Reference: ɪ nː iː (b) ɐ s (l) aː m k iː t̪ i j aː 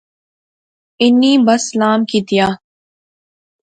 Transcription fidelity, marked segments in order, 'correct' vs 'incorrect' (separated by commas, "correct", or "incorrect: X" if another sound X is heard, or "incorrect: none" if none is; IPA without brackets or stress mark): correct, correct